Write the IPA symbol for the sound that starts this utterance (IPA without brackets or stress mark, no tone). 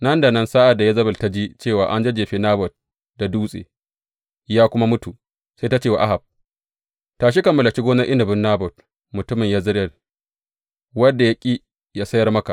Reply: n